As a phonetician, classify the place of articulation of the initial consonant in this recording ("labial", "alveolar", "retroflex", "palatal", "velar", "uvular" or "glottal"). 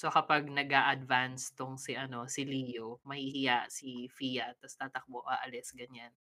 alveolar